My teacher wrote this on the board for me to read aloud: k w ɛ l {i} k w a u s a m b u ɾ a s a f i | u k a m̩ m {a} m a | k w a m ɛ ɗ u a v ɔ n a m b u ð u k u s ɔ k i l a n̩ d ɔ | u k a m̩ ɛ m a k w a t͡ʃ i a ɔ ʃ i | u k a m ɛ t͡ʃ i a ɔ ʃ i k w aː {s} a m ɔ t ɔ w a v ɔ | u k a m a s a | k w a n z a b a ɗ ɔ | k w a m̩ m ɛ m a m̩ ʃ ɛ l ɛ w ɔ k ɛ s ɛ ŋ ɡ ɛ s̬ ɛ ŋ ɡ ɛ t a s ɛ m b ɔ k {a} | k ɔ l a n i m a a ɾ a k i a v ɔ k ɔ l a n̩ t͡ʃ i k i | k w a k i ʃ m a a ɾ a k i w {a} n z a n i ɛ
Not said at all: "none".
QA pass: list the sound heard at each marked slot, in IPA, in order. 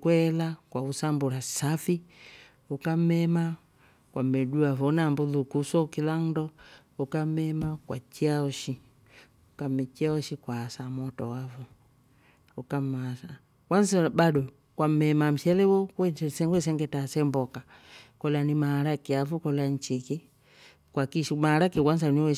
a, ɛ, s, a, a

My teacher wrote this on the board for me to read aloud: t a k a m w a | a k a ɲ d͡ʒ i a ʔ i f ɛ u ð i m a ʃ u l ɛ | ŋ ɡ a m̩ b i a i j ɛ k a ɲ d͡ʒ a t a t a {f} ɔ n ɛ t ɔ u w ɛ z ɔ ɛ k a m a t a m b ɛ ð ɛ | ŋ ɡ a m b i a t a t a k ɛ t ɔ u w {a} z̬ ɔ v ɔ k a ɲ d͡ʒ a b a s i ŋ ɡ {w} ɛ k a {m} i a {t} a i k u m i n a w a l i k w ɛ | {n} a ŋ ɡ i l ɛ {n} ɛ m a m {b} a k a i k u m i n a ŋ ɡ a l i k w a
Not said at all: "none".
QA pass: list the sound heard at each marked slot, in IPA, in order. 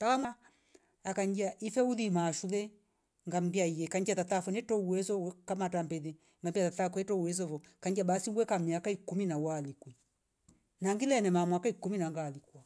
f, ɛ, w, m, k, n, n, w

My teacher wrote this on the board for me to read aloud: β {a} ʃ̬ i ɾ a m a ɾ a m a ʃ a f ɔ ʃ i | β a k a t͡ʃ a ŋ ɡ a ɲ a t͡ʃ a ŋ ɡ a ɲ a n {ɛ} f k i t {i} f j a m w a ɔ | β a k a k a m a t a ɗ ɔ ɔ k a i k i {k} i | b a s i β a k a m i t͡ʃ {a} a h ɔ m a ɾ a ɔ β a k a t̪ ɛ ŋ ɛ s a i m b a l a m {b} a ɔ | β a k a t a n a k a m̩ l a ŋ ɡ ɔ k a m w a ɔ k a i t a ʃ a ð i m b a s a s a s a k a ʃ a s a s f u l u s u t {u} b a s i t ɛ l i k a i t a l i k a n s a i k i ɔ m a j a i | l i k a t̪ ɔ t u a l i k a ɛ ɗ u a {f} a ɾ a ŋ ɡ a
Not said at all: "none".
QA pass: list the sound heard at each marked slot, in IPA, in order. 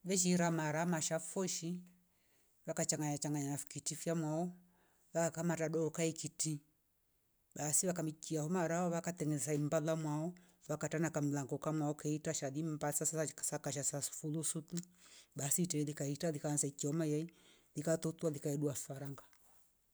ɛ, a, i, t, i, w, u, f

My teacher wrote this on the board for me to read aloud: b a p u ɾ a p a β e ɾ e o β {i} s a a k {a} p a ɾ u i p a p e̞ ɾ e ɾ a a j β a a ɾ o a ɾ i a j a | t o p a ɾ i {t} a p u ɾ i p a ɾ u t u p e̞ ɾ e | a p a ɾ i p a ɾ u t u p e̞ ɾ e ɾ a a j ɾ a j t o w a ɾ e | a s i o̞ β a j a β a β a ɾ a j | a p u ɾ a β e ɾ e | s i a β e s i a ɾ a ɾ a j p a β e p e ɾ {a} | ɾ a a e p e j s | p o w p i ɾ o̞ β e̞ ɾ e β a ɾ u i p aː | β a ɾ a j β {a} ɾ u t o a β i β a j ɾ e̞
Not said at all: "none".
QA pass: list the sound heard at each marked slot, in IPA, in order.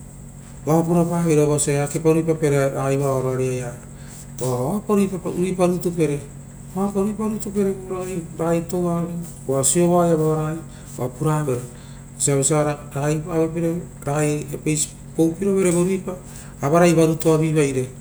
a, e, p, e, a

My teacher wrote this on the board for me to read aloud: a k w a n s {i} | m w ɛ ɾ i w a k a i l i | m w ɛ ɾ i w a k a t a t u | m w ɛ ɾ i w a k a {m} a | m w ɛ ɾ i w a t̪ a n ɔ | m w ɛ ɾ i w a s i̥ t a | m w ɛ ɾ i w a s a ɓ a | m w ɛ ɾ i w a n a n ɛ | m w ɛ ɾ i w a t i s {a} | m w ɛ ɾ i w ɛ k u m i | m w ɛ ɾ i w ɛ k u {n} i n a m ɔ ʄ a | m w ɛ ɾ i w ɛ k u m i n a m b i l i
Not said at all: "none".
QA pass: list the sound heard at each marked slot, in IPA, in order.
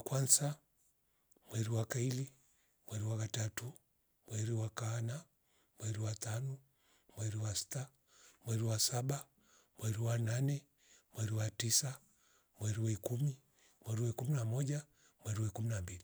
a, n, a, m

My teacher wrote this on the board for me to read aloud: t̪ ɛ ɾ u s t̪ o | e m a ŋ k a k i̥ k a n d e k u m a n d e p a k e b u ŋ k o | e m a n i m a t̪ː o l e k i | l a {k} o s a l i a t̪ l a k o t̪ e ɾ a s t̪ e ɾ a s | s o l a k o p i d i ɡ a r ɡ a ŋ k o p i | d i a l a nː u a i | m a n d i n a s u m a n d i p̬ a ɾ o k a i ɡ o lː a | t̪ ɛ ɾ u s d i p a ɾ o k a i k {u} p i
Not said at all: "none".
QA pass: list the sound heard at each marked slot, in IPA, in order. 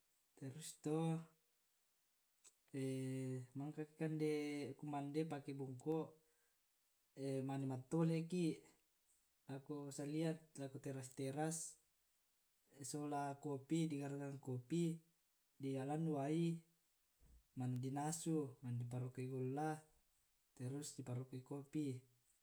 k, o

